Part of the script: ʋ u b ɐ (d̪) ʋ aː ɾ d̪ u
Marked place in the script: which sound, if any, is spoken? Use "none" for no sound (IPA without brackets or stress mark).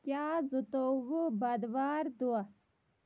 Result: d̪